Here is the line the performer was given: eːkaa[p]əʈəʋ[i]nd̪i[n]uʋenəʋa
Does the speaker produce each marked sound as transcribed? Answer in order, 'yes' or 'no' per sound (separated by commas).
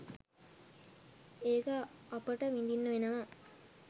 yes, yes, no